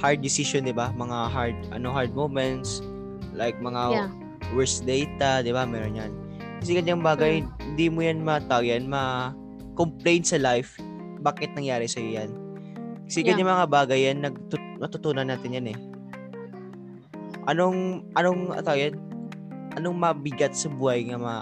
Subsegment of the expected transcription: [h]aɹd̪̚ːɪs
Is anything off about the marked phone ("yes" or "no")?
no